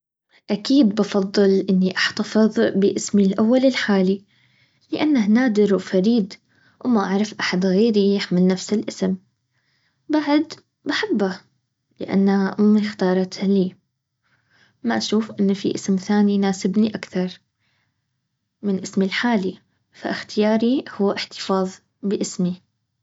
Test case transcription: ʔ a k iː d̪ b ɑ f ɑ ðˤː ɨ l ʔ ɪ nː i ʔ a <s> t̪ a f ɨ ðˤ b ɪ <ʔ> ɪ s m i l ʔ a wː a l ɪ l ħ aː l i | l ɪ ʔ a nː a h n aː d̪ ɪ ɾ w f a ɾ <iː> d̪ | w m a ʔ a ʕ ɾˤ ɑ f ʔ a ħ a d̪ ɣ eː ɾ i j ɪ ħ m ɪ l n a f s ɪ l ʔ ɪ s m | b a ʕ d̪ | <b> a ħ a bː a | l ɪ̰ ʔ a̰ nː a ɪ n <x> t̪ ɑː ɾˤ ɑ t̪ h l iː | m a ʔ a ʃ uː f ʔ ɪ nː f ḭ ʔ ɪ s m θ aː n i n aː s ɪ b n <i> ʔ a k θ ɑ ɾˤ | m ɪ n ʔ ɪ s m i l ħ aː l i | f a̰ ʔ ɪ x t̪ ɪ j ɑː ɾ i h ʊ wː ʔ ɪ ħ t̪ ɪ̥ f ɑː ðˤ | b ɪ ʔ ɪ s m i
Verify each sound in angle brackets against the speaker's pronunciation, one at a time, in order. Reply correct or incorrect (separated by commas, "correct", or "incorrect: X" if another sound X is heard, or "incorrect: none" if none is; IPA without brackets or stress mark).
incorrect: ħ, correct, correct, correct, correct, correct